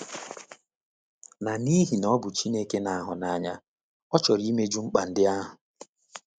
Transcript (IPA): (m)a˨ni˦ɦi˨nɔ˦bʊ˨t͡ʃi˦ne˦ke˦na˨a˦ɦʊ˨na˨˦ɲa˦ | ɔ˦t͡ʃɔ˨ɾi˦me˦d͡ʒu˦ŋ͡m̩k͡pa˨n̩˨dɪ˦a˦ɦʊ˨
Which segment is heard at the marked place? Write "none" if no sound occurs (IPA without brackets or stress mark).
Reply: n